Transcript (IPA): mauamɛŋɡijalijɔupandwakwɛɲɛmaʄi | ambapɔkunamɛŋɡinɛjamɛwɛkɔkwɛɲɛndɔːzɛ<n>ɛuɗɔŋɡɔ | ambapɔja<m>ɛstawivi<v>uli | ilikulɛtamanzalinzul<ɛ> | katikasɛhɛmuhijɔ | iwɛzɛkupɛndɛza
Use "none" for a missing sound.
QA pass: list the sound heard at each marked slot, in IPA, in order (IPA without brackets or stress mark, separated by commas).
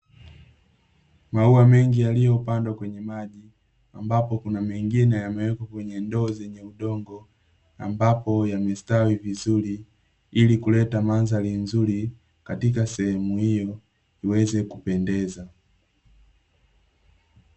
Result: ɲ, m, z, i